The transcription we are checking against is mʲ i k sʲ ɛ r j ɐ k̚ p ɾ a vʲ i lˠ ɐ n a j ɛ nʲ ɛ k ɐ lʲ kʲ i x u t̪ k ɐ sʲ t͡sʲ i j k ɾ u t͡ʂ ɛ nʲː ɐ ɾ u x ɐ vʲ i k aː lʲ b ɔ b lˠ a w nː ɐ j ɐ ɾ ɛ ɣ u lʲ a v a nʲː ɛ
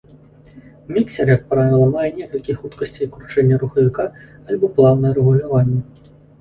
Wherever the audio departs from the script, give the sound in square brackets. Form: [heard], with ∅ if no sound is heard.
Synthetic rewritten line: mʲ i k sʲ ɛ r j ɐ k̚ p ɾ a vʲ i lˠ ɐ [m] a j ɛ nʲ ɛ k ɐ lʲ kʲ i x u t̪ k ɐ sʲ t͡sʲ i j k ɾ u t͡ʂ ɛ nʲː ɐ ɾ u x ɐ vʲ i k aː lʲ b ɔ [p] lˠ a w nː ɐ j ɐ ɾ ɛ ɣ u lʲ a v a nʲː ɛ